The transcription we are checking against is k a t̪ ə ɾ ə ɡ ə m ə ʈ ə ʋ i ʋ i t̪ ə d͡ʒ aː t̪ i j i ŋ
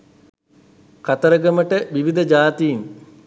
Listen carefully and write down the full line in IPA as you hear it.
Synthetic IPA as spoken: k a t̪ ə ɾ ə ɡ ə m ə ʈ ə ʋ i ʋ i d̪ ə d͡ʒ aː t̪ i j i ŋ